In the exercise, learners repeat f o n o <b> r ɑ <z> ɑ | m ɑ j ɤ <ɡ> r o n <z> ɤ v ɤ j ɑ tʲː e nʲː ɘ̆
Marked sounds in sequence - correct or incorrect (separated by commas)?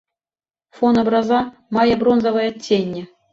correct, correct, incorrect, correct